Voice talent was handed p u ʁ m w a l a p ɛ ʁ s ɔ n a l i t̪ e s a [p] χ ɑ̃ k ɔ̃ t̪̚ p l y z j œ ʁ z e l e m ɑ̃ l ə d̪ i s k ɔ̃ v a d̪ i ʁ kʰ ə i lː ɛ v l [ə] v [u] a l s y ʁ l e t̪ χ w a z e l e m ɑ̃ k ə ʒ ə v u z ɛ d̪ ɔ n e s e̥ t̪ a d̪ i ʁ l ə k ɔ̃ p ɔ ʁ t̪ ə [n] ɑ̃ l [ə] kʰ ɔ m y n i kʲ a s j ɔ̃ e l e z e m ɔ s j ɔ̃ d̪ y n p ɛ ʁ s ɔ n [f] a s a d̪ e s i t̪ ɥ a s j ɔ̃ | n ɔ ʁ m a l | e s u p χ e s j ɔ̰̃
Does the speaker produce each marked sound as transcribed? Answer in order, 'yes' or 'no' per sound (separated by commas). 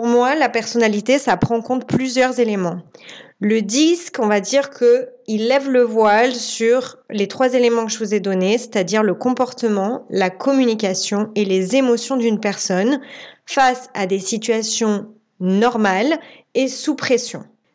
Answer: yes, yes, no, no, no, yes